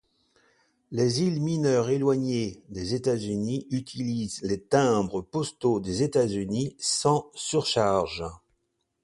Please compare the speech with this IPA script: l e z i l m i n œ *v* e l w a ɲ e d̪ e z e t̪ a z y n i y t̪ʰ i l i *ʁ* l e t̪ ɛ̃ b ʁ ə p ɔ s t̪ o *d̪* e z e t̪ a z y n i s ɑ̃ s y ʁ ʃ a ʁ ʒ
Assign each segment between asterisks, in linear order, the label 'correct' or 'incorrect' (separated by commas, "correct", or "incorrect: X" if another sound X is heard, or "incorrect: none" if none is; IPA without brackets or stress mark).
incorrect: ʁ, incorrect: z, correct